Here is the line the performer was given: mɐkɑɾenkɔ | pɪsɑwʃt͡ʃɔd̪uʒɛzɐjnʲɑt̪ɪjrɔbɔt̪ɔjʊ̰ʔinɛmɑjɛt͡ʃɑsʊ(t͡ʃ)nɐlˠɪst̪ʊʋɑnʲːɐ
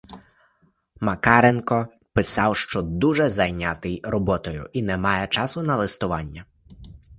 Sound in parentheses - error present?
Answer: yes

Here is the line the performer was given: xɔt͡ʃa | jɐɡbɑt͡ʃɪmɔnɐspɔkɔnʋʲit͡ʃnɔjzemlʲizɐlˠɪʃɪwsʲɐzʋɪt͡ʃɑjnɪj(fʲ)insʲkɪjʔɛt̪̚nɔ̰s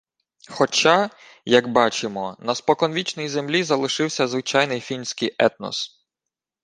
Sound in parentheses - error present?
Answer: no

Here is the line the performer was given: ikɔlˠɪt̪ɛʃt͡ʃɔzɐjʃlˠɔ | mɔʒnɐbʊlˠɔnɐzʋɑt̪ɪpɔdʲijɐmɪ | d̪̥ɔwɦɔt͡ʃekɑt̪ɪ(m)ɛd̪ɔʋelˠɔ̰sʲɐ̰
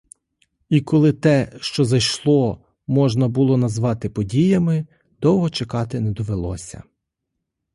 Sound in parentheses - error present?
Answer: yes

